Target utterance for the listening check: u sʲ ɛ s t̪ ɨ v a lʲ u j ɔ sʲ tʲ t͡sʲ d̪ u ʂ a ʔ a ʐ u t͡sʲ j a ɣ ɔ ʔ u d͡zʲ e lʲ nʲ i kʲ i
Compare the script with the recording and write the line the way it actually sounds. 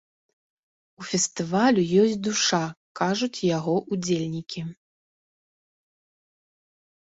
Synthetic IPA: u fʲ ɛ s t̪ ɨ v a lʲ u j ɔ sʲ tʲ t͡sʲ d̪ u ʂ a k a ʐ u t͡sʲ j a ɣ ɔ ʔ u d͡zʲ e lʲ nʲ i kʲ i